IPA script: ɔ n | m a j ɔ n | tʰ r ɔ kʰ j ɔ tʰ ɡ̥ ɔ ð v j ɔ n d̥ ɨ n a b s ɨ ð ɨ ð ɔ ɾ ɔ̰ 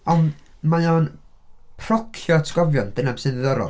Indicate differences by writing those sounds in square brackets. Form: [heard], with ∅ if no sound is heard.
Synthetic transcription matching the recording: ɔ n | m a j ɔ n | [pʰ] r ɔ kʰ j ɔ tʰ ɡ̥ ɔ [∅] v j ɔ n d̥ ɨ n a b s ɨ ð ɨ ð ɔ ɾ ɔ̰